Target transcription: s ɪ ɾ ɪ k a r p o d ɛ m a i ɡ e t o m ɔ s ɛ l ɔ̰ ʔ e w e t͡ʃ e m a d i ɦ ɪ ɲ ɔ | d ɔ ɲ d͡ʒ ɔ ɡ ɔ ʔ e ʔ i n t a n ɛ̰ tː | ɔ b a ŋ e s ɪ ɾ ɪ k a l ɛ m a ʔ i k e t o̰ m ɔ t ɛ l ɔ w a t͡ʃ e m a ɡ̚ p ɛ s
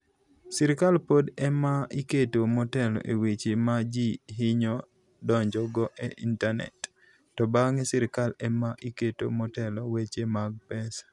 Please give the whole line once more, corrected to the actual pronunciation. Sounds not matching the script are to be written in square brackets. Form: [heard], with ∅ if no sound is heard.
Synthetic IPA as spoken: s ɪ ɾ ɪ k a [l] p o d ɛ m a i [k] e t o m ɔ [t] ɛ l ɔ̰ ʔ e w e t͡ʃ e m a [d͡ʒ] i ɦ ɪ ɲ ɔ | d ɔ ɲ d͡ʒ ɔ ɡ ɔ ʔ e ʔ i n t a n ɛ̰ tː | ɔ b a ŋ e s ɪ ɾ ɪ k a l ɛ m a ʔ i k e t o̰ m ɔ t ɛ l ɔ w [e] t͡ʃ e m a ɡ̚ p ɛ s